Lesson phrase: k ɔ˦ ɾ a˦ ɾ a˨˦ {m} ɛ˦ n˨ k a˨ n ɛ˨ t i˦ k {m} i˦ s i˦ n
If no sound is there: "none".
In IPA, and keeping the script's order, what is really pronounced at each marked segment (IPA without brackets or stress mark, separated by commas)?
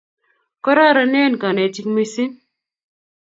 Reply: n, m